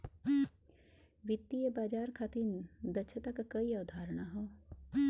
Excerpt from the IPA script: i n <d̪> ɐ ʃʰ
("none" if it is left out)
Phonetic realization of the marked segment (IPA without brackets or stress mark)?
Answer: d̪